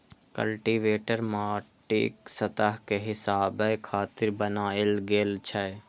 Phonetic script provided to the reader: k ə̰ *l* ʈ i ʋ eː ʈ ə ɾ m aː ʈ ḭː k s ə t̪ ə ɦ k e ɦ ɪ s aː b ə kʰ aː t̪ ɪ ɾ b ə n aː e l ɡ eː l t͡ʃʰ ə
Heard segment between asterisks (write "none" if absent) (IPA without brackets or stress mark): l